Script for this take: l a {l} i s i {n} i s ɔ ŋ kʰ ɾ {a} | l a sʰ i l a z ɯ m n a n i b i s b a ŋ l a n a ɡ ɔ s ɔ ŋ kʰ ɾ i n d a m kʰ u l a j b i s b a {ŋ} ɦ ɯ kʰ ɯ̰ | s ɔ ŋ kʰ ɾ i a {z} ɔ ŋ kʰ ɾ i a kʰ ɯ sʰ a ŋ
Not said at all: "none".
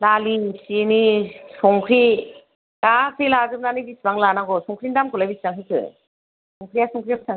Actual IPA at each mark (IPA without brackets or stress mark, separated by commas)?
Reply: l, n, i, ŋ, s